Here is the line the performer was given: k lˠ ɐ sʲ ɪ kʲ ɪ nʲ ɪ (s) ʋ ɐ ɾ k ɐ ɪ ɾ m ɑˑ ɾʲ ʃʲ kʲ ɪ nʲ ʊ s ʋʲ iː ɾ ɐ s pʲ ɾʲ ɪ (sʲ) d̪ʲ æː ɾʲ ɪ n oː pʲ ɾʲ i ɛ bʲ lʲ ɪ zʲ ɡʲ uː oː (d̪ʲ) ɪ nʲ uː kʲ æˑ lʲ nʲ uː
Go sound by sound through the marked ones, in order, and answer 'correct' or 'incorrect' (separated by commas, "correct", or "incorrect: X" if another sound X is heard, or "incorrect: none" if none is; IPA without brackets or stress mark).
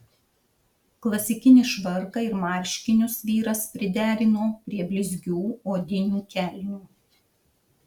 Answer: incorrect: ʃ, incorrect: none, correct